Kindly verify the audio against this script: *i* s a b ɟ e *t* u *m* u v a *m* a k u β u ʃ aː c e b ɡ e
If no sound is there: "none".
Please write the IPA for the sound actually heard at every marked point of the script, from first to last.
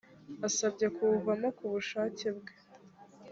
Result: a, k, none, m

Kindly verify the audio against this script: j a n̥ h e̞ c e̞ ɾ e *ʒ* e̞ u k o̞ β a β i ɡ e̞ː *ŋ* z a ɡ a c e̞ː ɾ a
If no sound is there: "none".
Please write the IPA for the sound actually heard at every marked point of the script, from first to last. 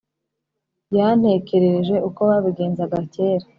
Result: ʒ, n

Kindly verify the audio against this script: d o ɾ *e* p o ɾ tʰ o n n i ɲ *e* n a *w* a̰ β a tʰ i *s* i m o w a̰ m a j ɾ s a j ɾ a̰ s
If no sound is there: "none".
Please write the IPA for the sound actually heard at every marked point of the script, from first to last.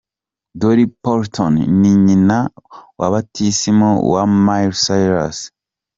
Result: i, i, w, s

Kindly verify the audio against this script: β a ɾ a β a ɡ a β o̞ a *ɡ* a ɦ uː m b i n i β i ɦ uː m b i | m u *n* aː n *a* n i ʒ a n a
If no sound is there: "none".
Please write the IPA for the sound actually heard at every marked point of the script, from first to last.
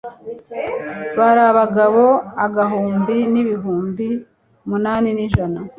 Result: ɡ, n, i

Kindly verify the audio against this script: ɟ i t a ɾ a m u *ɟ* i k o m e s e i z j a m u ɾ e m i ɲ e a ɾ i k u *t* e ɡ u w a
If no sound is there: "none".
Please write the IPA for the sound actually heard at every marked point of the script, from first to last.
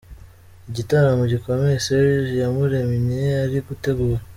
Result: ɟ, t

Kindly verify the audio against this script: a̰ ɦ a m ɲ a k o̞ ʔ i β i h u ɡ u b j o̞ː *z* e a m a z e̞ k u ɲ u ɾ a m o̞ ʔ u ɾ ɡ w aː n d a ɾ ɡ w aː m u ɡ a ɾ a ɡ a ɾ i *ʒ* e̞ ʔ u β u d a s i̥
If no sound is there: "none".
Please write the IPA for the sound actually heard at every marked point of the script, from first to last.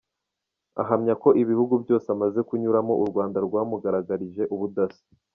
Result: s, ʒ

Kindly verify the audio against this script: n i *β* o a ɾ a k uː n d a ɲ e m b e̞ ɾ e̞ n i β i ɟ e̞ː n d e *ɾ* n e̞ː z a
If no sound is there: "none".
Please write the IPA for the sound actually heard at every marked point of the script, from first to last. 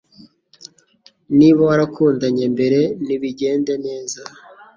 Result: β, none

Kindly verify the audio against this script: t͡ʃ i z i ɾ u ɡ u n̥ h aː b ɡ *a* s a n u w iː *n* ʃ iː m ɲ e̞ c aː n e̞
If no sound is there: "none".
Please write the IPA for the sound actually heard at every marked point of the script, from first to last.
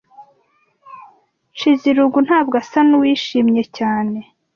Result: a, none

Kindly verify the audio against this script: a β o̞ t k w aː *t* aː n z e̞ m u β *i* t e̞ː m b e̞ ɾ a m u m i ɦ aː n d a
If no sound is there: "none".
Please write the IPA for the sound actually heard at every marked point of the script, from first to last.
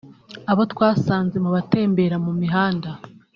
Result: s, a

